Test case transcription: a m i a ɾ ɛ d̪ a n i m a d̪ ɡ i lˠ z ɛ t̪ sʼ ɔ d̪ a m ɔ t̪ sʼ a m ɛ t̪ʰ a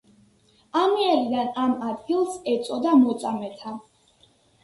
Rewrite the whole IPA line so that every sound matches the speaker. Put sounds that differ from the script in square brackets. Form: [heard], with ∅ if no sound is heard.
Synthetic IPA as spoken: a m i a ɾ [i] d̪ a n [a] m a d̪ ɡ i lˠ [s] ɛ t̪ sʼ ɔ d̪ a m ɔ t̪ sʼ a m ɛ t̪ʰ a